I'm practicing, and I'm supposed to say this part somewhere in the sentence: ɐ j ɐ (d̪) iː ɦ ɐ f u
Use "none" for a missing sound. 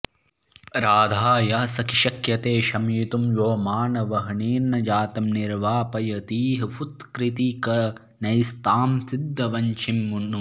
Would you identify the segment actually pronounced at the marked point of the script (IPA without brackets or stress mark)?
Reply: t̪